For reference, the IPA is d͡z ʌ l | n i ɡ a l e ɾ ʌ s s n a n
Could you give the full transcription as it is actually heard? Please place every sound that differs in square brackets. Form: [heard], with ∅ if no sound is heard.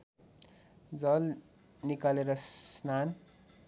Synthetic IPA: d͡z ʌ l | n i [k] a l e ɾ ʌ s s n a n